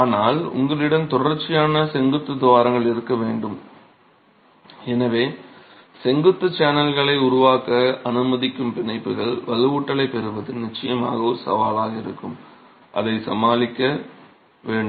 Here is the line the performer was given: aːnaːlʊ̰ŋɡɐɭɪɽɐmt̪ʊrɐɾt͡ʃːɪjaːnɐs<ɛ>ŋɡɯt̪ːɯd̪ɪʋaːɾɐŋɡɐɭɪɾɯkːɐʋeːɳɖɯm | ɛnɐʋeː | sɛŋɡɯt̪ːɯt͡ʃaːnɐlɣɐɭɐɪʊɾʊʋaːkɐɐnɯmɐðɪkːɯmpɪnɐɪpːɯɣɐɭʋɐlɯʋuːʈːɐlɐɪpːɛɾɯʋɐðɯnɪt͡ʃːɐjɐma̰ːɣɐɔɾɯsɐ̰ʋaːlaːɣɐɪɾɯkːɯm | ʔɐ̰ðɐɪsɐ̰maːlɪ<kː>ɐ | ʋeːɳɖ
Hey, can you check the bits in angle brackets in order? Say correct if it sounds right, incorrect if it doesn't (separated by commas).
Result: correct, correct